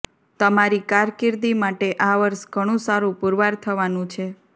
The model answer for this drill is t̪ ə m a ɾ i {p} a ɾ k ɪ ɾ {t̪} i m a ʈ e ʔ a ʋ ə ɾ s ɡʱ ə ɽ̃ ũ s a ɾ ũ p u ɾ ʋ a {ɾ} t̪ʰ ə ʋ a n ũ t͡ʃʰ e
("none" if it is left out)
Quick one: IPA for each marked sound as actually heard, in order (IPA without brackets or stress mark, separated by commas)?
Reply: k, d̪, ɾ